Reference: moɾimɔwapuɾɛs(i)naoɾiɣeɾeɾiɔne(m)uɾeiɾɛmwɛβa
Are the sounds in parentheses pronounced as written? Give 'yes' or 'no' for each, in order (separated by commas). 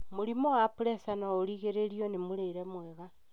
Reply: no, yes